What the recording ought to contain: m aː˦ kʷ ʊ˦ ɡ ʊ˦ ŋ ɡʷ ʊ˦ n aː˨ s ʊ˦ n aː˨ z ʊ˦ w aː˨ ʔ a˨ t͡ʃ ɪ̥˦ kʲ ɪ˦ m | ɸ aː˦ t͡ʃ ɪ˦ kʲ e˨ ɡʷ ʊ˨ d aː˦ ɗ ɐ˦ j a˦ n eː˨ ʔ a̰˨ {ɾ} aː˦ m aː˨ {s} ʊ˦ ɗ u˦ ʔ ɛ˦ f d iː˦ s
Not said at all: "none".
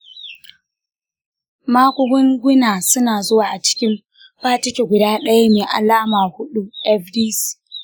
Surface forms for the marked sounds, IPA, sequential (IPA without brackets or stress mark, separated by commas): l, h